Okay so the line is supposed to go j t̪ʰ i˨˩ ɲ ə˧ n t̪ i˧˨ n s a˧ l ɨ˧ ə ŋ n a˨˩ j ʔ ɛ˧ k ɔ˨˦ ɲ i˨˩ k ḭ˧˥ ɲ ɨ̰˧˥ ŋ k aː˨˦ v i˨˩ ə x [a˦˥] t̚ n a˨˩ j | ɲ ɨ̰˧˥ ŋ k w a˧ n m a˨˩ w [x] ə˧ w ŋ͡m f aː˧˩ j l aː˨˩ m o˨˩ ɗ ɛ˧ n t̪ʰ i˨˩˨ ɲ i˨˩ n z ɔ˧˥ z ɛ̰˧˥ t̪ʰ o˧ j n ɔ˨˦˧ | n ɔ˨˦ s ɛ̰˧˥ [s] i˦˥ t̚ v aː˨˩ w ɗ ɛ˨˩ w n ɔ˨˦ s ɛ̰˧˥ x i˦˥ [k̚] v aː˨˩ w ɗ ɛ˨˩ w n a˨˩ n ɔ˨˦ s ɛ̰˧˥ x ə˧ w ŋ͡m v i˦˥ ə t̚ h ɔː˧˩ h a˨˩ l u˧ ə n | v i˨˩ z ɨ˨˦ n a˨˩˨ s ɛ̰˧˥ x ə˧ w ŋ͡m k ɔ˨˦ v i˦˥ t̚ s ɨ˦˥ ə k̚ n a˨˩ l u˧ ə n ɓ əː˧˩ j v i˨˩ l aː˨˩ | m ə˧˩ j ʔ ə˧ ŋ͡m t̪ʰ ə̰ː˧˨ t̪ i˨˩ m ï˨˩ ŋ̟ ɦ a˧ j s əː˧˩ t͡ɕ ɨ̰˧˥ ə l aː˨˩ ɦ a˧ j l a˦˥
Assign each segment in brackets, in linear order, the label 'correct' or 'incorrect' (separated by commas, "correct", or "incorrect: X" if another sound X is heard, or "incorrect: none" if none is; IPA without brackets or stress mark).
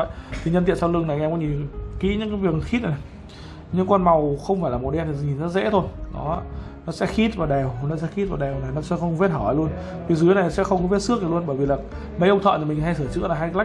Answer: incorrect: i˦˥, correct, incorrect: x, incorrect: t̚